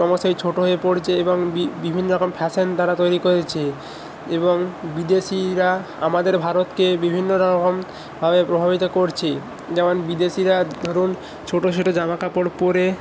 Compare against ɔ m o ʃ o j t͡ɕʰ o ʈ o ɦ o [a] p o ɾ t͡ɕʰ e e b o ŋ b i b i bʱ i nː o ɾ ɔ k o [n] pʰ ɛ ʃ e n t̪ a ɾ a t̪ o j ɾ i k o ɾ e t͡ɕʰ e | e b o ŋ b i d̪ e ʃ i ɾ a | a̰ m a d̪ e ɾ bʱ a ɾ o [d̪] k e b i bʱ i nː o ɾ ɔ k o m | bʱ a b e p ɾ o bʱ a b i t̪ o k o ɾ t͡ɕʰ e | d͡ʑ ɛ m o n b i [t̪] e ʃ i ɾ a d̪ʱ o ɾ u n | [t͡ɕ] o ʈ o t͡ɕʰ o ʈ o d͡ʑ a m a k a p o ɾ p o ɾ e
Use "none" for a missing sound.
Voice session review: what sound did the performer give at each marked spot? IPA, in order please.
e, m, t̪, d̪, t͡ɕʰ

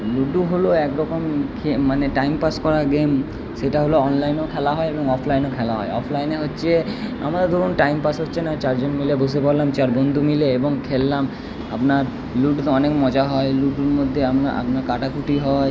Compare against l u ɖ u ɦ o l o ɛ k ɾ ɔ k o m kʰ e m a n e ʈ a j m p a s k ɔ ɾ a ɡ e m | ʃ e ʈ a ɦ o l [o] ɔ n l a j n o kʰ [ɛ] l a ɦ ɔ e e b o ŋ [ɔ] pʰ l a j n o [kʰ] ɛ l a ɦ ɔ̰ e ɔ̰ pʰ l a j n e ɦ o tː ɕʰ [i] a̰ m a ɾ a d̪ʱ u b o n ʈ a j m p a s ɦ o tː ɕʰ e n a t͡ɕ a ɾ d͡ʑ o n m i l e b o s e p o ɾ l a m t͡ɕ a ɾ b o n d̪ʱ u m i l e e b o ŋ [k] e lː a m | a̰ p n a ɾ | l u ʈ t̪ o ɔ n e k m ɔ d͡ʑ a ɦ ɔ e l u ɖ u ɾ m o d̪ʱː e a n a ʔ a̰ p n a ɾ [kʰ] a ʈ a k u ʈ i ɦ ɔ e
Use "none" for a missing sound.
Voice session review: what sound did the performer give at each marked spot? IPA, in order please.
o, ɛ, ɔ, kʰ, e, kʰ, k

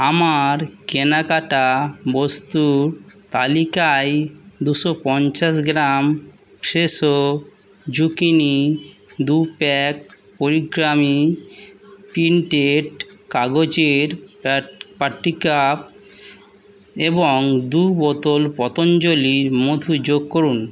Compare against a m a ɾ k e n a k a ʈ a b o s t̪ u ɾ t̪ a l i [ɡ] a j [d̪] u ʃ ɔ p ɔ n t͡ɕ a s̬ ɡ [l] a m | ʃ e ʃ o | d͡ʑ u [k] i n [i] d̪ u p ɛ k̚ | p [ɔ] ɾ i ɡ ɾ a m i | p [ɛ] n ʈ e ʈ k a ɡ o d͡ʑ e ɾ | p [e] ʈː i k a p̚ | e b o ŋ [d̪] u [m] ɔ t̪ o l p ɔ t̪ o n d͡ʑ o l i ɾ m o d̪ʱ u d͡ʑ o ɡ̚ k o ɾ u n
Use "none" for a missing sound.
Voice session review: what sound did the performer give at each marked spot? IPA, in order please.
k, d̪, ɾ, k, i, o, i, a, d̪, b

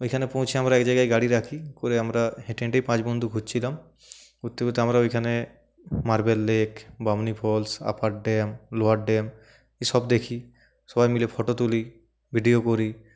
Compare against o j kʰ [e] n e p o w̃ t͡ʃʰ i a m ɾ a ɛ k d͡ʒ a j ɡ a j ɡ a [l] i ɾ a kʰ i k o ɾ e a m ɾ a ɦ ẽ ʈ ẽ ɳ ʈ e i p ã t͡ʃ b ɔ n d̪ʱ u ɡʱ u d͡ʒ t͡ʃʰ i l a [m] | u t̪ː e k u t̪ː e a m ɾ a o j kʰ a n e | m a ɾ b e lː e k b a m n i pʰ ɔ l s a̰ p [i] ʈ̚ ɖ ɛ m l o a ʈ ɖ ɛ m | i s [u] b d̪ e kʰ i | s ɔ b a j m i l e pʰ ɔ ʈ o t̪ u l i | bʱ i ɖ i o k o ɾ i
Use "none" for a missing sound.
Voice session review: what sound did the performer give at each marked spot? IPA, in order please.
a, ɽ, m, a, ɔ

